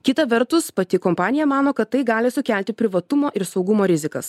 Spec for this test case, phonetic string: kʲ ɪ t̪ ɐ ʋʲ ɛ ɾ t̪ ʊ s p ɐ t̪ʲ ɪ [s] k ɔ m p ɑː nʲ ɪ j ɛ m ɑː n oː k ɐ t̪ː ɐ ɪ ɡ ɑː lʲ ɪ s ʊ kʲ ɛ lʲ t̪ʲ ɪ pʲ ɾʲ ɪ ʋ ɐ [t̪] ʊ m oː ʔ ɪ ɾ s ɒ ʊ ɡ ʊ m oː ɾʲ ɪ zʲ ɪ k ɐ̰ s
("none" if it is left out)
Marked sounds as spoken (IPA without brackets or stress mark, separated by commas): none, t̪